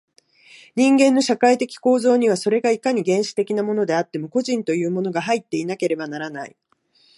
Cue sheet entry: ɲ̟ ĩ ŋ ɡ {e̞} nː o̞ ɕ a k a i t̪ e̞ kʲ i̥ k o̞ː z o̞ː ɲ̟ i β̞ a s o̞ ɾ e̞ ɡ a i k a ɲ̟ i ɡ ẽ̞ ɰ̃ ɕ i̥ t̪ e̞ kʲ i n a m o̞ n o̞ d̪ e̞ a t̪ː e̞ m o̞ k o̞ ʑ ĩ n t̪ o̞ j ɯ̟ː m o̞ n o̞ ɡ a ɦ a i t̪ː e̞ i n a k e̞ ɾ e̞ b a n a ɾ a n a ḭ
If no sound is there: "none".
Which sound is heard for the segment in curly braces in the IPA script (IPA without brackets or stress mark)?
ẽ̞